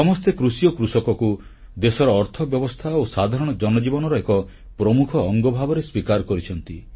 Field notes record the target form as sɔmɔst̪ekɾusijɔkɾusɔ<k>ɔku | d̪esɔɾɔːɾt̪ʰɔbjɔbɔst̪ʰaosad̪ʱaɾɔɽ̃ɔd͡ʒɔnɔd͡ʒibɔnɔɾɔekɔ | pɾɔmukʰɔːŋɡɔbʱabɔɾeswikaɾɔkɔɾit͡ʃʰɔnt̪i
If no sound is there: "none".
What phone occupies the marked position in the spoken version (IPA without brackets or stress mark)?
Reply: k